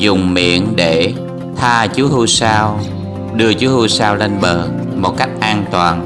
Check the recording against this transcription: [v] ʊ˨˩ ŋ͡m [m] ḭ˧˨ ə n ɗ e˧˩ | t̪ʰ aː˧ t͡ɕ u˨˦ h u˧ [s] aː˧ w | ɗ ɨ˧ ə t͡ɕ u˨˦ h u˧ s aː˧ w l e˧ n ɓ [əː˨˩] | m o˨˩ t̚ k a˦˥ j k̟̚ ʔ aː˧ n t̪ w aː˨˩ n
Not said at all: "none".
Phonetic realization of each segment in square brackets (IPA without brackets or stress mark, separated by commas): z, m, s, əː˨˩